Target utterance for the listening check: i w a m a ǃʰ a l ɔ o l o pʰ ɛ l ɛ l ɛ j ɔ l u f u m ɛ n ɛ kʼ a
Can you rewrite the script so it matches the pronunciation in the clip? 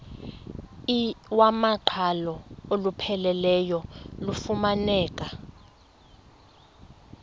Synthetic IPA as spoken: i w a m a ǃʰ a l ɔ o l u pʰ ɛ l ɛ l ɛ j ɔ l u f u m a n ɛː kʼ a